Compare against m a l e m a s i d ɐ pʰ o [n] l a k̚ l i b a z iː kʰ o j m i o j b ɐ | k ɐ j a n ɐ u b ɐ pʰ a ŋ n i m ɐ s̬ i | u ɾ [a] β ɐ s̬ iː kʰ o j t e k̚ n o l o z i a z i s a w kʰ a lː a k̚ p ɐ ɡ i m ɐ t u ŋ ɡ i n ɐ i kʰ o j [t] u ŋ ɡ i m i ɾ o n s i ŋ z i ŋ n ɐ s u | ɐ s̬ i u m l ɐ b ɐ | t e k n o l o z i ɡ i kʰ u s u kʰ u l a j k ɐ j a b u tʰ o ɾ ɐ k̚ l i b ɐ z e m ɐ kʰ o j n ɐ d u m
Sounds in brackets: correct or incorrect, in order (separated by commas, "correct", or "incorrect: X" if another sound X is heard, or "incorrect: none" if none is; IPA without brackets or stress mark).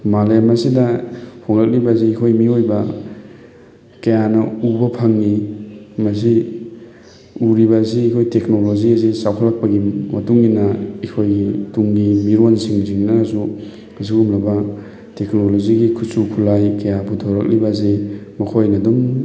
incorrect: ŋ, incorrect: i, correct